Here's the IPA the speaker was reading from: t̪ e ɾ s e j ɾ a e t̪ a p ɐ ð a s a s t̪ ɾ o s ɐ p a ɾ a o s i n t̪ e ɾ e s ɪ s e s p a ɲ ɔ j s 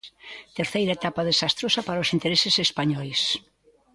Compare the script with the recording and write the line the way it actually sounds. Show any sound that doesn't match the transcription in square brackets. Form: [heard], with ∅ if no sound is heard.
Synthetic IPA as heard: t̪ e ɾ [θ] e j ɾ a e t̪ a p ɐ ð [e] s a s t̪ ɾ o s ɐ p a ɾ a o s i n t̪ e ɾ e s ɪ s e s p a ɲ ɔ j s